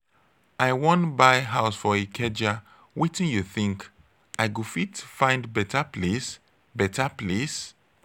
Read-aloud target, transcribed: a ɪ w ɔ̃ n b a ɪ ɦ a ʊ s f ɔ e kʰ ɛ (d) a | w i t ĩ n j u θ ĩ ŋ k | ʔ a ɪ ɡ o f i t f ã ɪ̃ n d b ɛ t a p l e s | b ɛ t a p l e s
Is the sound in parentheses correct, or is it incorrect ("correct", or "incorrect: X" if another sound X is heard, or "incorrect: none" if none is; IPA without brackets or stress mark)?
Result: incorrect: d͡ʒ